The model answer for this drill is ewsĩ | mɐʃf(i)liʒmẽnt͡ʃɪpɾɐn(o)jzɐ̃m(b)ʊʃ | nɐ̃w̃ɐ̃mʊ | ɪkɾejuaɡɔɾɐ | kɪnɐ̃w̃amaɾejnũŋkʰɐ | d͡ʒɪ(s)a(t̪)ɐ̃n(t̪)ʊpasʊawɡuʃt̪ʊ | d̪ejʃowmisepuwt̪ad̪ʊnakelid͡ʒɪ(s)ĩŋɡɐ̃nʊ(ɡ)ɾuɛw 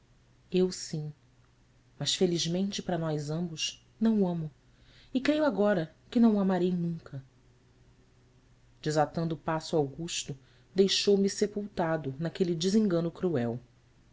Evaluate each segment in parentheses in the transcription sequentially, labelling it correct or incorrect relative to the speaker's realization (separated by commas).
incorrect, incorrect, correct, incorrect, correct, incorrect, incorrect, incorrect